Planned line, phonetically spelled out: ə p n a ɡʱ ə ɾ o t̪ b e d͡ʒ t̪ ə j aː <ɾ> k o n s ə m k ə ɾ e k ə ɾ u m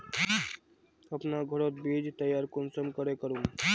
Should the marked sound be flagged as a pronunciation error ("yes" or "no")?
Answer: no